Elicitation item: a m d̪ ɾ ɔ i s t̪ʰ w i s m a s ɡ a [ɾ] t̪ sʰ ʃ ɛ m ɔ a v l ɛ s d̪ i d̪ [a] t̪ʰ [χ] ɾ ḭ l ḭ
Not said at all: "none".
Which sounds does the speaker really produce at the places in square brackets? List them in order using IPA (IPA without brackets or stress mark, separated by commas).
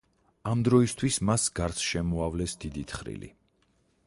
ɾ, i, χ